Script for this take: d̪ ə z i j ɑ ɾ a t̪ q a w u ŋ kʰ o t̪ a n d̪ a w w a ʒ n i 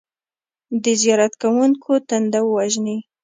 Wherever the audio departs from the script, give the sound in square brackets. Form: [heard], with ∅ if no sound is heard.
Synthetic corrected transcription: d̪ ə z i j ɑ ɾ a t̪ [k] a w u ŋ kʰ o t̪ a n d̪ a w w a ʒ n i